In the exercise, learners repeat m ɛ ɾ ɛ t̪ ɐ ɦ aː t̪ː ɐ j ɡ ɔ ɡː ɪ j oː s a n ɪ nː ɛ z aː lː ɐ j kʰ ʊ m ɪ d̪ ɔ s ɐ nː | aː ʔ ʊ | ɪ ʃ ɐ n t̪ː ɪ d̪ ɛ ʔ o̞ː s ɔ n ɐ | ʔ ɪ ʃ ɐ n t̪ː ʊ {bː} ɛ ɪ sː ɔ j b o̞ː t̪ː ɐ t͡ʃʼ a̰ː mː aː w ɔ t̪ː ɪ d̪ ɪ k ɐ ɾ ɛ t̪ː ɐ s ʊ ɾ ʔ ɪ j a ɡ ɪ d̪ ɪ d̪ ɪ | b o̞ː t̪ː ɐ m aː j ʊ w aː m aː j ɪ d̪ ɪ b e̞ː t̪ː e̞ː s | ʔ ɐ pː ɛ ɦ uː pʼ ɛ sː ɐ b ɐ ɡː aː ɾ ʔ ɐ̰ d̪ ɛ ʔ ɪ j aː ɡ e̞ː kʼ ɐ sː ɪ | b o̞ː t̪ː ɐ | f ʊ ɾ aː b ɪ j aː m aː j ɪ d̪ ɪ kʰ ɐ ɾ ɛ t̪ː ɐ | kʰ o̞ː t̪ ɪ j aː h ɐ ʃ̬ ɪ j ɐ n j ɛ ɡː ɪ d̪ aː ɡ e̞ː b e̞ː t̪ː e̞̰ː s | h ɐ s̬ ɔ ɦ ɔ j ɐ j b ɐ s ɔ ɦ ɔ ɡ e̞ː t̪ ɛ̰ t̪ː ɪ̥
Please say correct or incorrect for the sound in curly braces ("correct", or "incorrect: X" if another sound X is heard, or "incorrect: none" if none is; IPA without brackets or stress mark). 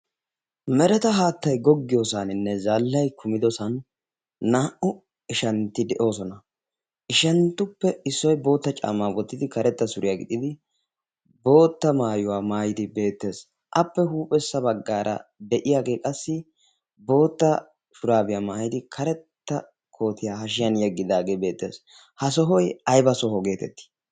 incorrect: pː